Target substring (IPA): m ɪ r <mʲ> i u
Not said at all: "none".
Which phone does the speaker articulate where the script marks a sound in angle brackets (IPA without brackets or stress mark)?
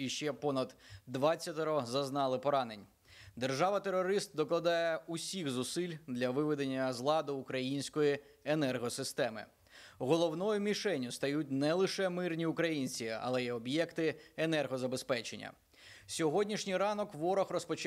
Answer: nʲ